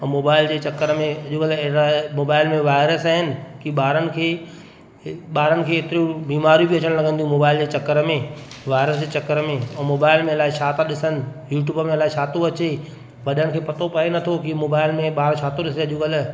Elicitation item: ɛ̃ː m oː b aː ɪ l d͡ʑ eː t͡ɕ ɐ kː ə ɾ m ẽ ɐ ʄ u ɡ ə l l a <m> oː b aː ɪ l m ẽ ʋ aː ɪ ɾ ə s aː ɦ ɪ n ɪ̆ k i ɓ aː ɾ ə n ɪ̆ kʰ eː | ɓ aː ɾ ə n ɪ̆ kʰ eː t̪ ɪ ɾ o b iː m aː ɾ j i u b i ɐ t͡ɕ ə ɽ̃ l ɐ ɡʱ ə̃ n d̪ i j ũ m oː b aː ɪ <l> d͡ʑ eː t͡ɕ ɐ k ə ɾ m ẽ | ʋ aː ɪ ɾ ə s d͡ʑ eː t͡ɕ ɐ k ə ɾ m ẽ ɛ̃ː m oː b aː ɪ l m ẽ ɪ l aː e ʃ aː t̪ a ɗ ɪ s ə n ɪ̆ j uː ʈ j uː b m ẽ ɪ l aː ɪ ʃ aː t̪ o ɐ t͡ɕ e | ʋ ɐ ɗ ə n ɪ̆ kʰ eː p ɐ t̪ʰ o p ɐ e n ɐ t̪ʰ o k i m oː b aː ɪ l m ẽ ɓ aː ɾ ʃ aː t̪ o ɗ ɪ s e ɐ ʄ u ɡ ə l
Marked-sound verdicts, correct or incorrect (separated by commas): correct, correct